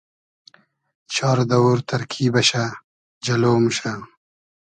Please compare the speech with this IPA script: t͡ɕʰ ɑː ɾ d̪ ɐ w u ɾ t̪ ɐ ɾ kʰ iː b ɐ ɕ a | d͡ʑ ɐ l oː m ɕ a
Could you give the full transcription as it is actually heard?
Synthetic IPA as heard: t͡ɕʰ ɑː ɾ d̪ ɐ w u ɾ t̪ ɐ ɾ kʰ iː b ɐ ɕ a | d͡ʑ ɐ l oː m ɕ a